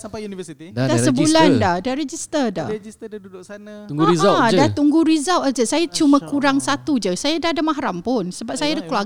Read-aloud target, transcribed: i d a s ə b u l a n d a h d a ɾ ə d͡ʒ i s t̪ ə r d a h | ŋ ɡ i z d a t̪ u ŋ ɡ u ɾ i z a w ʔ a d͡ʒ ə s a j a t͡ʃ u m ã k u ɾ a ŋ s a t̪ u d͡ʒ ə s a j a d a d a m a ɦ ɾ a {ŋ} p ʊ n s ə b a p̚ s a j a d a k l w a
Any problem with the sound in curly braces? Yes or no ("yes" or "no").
yes